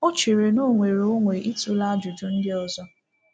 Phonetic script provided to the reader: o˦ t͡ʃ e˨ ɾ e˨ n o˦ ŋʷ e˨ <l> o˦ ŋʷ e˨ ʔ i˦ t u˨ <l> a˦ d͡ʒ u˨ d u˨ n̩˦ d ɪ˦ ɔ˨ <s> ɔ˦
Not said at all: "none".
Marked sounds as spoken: ɾ, l, z

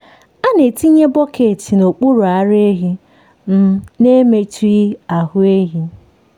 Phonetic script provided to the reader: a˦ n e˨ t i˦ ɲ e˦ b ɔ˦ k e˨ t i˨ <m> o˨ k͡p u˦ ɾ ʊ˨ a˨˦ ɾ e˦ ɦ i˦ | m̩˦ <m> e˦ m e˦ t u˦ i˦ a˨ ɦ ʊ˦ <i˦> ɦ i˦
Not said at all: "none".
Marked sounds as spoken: n, n, e˦

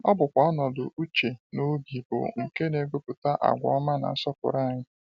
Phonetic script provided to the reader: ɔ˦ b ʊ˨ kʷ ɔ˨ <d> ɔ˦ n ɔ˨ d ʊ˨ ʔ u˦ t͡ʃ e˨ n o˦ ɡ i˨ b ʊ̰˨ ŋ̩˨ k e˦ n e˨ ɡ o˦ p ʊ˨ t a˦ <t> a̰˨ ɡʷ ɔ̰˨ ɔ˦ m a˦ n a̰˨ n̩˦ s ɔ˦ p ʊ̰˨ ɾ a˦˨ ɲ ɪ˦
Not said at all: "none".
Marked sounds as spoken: none, ʔ

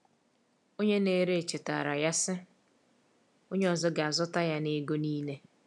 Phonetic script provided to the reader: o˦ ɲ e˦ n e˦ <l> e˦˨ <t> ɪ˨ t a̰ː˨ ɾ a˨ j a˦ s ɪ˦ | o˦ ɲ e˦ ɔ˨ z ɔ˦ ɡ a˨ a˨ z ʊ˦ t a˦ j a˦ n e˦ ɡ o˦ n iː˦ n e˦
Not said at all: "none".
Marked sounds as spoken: ɾ, t͡ʃ

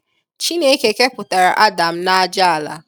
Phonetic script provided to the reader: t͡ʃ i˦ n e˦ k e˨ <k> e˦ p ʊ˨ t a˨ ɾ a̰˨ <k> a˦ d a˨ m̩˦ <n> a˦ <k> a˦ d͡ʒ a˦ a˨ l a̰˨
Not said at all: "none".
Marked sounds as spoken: k, ʔ, n, none

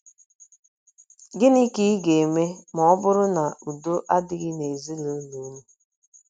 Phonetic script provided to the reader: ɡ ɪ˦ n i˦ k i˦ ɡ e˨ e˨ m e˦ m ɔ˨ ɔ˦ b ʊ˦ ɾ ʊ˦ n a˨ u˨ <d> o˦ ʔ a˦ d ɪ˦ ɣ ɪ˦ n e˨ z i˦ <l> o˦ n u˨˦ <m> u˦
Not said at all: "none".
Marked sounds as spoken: d, l, m

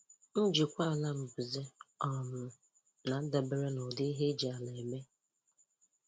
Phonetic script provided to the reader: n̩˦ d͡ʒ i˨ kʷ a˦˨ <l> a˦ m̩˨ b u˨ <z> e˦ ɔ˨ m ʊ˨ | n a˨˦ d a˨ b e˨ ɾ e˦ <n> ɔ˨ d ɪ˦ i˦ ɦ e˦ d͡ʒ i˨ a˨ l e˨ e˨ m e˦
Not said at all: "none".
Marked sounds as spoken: l, z, n

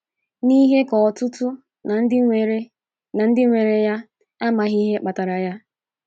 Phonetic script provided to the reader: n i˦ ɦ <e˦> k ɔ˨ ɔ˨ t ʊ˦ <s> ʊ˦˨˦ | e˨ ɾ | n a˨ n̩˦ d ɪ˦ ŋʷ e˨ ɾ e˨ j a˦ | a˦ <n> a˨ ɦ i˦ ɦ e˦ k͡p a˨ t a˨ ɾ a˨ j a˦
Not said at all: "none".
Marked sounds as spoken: e˦, t, m

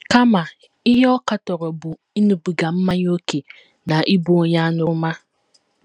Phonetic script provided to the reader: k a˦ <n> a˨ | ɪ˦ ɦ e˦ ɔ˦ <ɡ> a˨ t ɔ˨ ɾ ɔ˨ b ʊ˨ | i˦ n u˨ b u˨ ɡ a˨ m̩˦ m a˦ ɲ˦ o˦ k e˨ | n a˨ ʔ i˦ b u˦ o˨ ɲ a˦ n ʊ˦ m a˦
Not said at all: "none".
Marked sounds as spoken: m, k

